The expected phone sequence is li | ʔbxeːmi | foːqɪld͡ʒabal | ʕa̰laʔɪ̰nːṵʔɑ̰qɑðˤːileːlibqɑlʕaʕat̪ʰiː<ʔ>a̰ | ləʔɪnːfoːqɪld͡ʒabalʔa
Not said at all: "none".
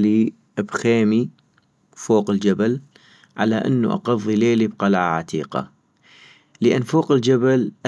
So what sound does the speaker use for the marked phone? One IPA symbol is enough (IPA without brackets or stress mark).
q